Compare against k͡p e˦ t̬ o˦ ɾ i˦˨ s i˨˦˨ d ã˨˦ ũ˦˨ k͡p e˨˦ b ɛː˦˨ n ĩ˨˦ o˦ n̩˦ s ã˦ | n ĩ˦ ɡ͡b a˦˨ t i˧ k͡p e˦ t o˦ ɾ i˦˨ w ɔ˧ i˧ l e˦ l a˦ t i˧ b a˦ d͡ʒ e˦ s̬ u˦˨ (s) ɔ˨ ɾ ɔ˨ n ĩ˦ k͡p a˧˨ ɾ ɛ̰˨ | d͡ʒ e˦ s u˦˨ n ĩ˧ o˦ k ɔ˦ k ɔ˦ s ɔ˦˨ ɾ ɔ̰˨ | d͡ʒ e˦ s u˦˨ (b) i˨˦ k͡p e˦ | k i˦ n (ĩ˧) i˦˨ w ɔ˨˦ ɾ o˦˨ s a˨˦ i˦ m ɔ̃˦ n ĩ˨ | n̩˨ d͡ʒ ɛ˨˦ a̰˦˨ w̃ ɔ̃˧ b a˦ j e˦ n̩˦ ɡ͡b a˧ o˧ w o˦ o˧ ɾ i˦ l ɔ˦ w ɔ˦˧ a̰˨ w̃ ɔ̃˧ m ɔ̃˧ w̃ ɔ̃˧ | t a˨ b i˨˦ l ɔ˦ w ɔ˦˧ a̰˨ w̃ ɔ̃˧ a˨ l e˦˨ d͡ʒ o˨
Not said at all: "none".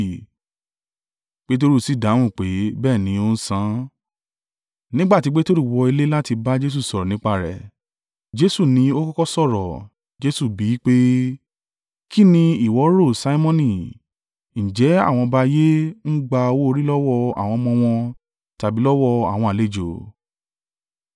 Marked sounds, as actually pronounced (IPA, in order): s, b, ĩ˧

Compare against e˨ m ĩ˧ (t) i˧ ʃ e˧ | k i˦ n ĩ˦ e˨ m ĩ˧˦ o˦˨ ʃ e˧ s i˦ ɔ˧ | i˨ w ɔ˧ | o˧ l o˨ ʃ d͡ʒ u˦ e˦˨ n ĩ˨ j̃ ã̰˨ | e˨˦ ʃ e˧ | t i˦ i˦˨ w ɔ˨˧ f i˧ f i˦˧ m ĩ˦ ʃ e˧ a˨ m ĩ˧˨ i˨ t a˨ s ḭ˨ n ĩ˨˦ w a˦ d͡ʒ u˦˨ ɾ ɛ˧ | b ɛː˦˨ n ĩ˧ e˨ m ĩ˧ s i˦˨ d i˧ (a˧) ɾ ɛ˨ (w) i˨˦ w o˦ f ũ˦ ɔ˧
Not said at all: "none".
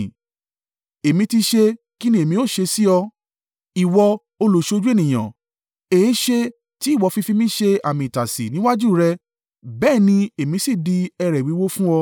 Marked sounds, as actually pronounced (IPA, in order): t, ɛ˧, w

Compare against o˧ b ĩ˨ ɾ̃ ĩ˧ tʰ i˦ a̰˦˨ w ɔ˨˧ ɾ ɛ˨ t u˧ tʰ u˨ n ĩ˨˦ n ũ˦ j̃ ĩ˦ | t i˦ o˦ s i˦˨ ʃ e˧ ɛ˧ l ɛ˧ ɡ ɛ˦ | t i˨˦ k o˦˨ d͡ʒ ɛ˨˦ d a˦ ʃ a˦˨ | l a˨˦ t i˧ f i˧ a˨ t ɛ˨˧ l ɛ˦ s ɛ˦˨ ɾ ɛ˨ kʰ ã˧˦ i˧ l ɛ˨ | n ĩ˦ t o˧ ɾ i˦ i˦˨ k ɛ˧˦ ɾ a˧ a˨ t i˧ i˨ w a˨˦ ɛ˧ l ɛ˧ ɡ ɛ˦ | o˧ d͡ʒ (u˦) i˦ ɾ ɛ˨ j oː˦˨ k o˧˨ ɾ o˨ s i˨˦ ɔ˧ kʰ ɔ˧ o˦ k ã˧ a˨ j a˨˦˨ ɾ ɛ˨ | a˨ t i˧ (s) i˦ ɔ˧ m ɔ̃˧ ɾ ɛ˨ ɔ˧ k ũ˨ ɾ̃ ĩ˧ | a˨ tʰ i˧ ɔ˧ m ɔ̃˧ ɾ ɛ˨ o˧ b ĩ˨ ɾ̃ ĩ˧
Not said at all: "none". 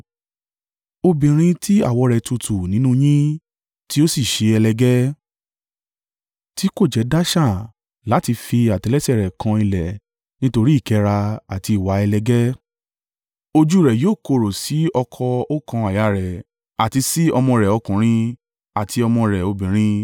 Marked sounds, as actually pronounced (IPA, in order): u˦, s

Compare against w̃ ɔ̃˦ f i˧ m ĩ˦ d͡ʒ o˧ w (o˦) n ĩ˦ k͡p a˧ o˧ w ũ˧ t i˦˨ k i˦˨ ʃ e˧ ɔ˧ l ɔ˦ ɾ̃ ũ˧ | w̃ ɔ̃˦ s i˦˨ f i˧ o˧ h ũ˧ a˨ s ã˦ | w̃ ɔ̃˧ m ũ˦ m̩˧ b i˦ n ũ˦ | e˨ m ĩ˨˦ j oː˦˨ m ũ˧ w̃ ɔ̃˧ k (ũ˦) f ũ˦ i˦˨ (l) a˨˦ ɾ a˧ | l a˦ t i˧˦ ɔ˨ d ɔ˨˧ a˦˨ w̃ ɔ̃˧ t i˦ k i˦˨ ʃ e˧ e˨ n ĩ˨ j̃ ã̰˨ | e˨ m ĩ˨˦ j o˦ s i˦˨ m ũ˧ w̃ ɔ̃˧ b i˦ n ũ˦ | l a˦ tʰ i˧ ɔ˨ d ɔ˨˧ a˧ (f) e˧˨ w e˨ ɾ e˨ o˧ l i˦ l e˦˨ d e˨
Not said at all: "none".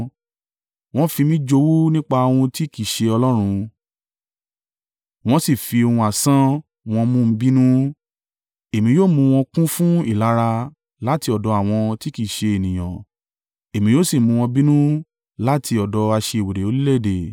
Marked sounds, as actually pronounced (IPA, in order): u˦, ũ˦, l, ʃ

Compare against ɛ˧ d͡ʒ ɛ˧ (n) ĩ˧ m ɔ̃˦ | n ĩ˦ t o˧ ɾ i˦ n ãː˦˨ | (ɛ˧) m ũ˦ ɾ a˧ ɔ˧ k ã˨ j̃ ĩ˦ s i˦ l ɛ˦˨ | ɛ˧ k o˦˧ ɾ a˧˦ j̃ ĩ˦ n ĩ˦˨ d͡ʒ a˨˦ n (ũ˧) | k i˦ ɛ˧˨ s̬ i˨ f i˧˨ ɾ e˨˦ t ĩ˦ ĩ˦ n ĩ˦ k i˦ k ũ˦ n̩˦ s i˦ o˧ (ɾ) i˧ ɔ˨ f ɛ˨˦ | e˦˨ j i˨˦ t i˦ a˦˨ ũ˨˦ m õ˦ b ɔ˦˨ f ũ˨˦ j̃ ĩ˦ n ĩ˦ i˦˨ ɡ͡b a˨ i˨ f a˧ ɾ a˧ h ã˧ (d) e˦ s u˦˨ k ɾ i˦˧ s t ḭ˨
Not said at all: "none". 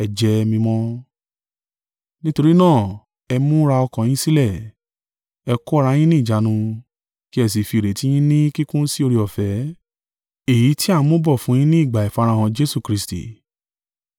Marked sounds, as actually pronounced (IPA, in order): m, ɛ˧, ũ˧, ɾ, d͡ʒ

